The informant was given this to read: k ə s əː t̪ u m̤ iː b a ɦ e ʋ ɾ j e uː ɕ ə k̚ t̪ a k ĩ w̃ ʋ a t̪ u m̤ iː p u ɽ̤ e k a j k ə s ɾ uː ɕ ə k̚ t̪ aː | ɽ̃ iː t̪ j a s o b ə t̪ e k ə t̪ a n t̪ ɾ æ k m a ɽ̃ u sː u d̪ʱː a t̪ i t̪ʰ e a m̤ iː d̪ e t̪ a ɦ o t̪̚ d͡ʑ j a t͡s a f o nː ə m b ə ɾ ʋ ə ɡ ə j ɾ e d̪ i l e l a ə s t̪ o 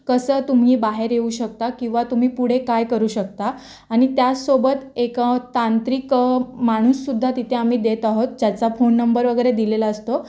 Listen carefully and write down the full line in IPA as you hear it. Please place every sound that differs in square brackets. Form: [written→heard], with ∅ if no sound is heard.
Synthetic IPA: k ə s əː t̪ u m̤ iː b a ɦ e [ʋ→∅] ɾ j e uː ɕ ə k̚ t̪ a k ĩ w̃ ʋ a t̪ u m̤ iː p u ɽ̤ e k a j k ə [s→∅] ɾ uː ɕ ə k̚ t̪ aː | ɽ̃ [iː→i] t̪ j a s o b ə t̪ e k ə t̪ a n t̪ ɾ [æ→i] k m a ɽ̃ u sː u d̪ʱː a t̪ i t̪ʰ e a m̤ iː d̪ e t̪ a ɦ o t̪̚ d͡ʑ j a t͡s a f o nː ə m b ə ɾ ʋ ə ɡ ə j ɾ e d̪ i l e l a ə s t̪ o